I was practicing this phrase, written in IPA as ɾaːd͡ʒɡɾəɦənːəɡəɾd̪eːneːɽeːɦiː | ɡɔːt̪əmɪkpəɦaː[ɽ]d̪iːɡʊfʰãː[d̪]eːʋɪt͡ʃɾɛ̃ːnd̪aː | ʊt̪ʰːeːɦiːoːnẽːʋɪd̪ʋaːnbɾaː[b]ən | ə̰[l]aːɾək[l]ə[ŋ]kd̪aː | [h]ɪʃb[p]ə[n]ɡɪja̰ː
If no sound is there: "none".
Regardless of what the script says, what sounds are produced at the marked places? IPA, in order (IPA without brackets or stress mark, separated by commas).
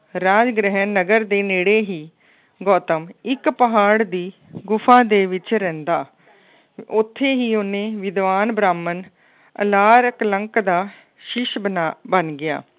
ɽ, d̪, m, l, l, ŋ, ʃ, b, n